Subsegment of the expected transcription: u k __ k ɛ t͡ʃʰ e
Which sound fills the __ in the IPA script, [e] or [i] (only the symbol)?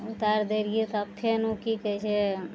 i